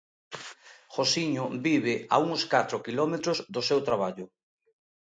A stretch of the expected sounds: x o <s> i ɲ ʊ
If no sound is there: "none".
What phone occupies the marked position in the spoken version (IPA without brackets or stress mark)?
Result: s